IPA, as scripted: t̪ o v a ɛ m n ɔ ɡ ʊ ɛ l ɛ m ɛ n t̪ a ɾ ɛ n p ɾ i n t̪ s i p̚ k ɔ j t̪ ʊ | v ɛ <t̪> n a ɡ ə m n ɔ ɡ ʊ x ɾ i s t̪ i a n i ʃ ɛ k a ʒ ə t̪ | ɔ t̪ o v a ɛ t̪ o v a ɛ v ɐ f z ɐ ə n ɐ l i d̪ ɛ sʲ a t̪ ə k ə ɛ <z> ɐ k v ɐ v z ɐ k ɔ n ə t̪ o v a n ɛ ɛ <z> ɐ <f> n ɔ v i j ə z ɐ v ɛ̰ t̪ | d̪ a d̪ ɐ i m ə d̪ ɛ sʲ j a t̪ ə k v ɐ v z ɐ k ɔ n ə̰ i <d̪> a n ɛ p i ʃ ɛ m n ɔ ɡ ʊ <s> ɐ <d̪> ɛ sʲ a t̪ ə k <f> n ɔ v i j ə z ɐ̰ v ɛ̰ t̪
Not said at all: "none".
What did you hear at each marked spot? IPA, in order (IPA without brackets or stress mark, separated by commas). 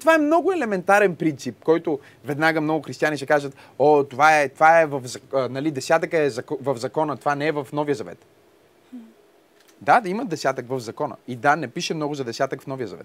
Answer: d̪, z, v, f, d̪, z, d̪, f